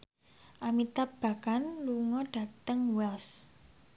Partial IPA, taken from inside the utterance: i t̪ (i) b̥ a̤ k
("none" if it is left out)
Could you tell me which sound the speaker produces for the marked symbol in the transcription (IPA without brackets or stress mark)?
a